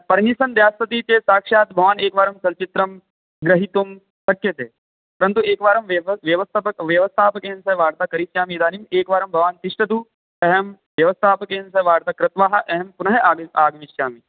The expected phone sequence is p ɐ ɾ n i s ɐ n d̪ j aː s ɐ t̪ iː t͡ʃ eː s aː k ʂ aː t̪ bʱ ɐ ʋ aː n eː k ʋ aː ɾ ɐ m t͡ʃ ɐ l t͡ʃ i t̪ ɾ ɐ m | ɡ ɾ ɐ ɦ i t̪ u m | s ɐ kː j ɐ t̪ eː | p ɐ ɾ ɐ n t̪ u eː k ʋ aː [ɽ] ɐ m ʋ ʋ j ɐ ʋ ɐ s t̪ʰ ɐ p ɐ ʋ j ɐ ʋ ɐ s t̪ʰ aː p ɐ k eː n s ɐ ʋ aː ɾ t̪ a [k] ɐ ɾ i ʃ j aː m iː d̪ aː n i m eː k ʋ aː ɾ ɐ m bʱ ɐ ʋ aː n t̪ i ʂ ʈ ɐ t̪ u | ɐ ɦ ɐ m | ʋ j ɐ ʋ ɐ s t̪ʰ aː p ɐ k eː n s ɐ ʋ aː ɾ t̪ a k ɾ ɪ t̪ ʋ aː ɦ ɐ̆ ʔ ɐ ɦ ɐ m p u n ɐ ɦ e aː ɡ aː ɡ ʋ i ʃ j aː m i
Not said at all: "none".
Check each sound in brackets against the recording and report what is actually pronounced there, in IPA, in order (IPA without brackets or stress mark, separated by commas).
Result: ɾ, k